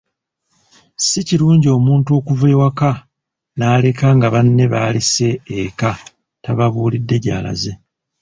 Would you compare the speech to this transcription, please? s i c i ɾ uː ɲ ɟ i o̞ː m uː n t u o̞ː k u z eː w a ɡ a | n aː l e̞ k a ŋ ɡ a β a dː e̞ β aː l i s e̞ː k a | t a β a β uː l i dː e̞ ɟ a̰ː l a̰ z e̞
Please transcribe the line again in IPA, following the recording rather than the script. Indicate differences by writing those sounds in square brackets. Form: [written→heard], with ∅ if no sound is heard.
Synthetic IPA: s i c i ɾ uː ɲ ɟ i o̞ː m uː n t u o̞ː k u [z→v] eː w a [ɡ→k] a | n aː l e̞ k a ŋ ɡ a β a [dː→nː] e̞ β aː l i s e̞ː k a | t a β a β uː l i dː e̞ ɟ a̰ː l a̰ z e̞